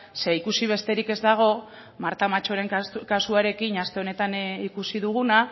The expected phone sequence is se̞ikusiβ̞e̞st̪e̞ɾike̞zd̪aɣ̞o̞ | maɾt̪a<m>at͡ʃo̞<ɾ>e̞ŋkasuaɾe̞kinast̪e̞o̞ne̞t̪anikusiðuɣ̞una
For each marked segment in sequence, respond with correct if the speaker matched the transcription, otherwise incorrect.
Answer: correct, correct

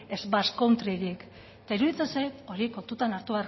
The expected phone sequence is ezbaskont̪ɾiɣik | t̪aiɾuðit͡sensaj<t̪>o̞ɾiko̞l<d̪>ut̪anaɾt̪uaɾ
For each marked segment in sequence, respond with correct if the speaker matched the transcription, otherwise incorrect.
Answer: correct, incorrect

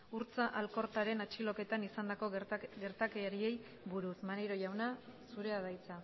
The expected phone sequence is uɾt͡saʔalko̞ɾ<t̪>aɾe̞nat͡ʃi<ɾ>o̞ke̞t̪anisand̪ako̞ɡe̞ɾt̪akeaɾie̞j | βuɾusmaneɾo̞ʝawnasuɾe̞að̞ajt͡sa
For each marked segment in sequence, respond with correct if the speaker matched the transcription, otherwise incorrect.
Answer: correct, incorrect

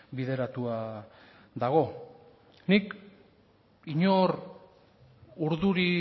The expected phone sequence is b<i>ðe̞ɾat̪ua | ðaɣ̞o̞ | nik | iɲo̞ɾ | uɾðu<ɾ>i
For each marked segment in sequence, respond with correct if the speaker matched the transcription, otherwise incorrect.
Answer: correct, correct

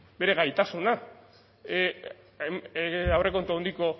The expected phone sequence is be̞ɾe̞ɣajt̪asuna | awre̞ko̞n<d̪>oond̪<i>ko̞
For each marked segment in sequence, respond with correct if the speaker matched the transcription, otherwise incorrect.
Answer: incorrect, correct

